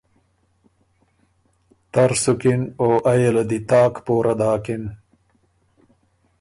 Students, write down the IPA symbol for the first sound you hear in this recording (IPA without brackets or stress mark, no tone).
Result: t̪